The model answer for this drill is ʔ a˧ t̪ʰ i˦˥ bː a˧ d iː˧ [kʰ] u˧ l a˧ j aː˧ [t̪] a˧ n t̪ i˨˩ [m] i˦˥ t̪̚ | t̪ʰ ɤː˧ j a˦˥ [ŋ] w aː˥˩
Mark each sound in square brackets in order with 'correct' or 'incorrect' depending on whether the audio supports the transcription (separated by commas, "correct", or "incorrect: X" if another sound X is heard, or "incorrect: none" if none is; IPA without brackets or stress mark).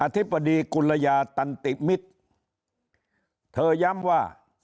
incorrect: k, correct, correct, incorrect: m